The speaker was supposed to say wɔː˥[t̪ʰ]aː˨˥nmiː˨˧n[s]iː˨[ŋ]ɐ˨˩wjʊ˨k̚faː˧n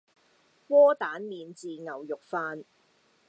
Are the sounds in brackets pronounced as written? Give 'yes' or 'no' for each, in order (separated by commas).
no, no, yes